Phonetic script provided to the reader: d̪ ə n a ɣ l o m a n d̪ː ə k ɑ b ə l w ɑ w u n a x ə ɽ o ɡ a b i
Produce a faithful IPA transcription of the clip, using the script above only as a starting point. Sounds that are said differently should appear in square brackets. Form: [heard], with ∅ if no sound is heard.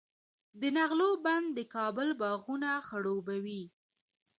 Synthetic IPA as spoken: d̪ ə n a ɣ l o [b] a n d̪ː ə k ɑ b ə l [b] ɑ [ɣ] u n a x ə ɽ o [b] a [w] i